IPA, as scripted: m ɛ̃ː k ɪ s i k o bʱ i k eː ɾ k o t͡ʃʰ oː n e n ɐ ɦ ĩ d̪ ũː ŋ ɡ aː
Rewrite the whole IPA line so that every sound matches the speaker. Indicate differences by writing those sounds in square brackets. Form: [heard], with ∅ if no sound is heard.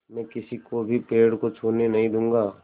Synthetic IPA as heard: m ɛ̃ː k ɪ s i k o bʱ i [p] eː [ɽ] k o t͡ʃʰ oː n e n ɐ ɦ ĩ d̪ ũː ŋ ɡ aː

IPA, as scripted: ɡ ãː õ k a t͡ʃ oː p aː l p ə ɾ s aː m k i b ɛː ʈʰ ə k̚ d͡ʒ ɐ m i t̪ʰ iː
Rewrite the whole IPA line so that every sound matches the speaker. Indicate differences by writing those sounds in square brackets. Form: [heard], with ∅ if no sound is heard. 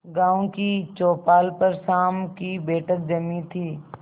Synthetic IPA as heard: ɡ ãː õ k [i] t͡ʃ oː p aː l p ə ɾ s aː m k i b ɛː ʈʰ ə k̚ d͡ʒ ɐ m i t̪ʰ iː

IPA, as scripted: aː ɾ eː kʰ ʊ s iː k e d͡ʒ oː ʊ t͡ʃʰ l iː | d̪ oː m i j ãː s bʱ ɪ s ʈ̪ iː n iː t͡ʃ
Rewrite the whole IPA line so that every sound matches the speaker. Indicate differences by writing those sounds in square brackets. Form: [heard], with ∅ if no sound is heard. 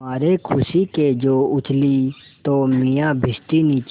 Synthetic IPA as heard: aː ɾ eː kʰ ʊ s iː k e d͡ʒ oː ʊ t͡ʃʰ l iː | [t̪] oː m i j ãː [∅] bʱ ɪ s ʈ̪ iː n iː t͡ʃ

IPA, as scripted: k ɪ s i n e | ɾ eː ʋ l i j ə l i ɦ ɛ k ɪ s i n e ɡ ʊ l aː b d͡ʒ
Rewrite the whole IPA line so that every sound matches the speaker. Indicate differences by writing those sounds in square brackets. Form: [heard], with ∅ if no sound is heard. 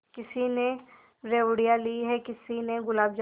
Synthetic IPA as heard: k ɪ s i n e | ɾ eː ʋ [ɽ] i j [a] l i ɦ ɛ k ɪ s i n e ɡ ʊ l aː b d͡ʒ

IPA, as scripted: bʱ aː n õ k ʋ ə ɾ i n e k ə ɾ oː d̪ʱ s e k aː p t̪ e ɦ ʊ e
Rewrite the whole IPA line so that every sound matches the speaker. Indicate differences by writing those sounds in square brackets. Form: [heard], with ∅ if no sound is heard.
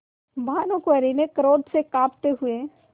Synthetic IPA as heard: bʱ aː n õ k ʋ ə ɾ i n e k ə ɾ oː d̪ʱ s e k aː p t̪ e ɦ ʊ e

